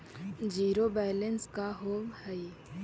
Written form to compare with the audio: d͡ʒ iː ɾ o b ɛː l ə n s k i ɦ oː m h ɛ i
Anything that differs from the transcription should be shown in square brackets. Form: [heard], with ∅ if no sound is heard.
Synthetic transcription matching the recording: d͡ʒ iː ɾ o b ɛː l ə n s k [a] ɦ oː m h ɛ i